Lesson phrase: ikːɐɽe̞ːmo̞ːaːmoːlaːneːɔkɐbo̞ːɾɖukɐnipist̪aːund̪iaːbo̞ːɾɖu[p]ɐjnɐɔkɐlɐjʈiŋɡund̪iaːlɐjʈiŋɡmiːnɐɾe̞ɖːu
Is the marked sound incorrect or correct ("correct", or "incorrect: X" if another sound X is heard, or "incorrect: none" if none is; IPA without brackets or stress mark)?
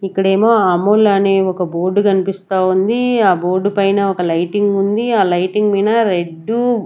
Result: correct